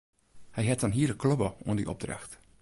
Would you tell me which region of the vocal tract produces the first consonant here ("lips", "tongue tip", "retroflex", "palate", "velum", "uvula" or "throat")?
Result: throat